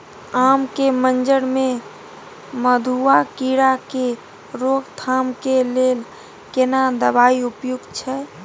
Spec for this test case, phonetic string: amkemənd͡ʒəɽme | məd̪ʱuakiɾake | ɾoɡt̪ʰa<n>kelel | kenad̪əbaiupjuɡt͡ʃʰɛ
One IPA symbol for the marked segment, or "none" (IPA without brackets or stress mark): m